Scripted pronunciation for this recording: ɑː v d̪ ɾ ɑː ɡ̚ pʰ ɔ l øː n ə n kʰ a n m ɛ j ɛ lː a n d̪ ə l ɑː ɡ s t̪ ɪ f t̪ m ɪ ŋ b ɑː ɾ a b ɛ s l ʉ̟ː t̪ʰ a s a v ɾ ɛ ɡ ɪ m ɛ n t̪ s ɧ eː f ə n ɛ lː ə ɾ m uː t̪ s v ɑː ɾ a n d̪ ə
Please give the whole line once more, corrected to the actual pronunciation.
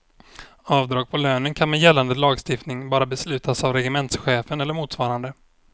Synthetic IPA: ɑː v d̪ ɾ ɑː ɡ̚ pʰ ɔ l øː n ə n kʰ a n m ɛ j ɛ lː a n d̪ ə l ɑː ɡ s t̪ ɪ f t̪ n ɪ ŋ b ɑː ɾ a b ɛ s l ʉ̟ː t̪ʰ a s a v ɾ ɛ ɡ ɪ m ɛ n t̪ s ɧ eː f ə n ɛ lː ə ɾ m uː t̪ s v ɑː ɾ a n d̪ ə